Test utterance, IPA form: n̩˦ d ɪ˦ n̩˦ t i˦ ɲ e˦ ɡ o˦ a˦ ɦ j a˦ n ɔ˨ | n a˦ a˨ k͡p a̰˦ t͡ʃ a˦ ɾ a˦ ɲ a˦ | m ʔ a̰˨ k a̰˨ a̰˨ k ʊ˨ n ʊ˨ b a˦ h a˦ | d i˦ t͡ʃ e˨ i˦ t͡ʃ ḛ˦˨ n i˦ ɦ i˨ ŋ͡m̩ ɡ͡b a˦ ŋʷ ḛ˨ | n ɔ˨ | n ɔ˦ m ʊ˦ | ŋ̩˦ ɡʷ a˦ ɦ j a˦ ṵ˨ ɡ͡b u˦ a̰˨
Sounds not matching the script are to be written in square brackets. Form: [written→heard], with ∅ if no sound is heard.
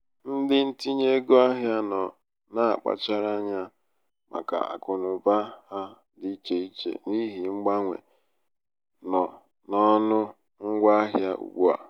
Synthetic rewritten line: n̩˦ d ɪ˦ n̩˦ t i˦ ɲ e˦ ɡ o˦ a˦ ɦ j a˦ n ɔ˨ | n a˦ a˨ k͡p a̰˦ t͡ʃ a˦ ɾ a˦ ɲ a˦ | m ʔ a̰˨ k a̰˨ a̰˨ k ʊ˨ n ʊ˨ b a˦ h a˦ | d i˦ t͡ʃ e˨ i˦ t͡ʃ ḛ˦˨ n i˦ ɦ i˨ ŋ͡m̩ ɡ͡b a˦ ŋʷ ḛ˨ | n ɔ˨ | n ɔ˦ [m→n] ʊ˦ | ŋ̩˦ ɡʷ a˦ ɦ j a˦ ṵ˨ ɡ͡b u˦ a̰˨